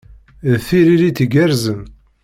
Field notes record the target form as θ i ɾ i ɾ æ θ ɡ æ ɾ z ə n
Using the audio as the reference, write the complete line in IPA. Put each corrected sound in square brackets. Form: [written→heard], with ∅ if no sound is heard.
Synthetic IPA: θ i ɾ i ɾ [æ→i] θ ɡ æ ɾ z ə n